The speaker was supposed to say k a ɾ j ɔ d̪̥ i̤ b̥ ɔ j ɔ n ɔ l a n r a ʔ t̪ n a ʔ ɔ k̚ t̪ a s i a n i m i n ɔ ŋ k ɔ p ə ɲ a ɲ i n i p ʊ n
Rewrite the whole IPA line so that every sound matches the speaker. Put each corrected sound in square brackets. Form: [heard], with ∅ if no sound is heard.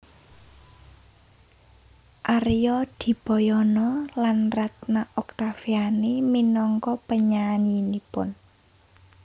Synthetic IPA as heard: [ʔ] a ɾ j ɔ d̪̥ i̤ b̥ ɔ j ɔ n ɔ l a n r a [∅] t̪ n a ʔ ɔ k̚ t̪ a [f] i a n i m i n ɔ ŋ k ɔ p ə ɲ a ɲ i n i p ʊ n